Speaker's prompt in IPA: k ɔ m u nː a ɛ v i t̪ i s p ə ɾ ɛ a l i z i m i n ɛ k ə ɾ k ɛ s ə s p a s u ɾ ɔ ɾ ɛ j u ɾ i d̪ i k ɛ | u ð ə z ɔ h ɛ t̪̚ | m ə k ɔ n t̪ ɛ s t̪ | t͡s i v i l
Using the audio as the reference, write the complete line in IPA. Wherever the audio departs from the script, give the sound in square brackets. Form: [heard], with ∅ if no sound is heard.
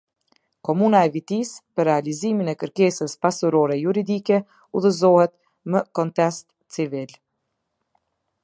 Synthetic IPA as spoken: k ɔ m u [n] a ɛ v i t̪ i s p ə ɾ ɛ a l i z i m i n ɛ k ə ɾ k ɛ s ə s p a s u ɾ ɔ ɾ ɛ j u ɾ i d̪ i k ɛ | u ð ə z ɔ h ɛ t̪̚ | m ə k ɔ n t̪ ɛ s t̪ | t͡s i v i l